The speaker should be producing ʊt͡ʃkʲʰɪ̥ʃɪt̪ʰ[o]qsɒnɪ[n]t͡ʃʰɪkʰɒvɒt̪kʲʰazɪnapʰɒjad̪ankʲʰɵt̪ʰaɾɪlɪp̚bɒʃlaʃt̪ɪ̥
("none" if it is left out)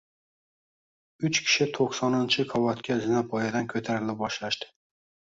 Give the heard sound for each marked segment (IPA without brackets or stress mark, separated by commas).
o, n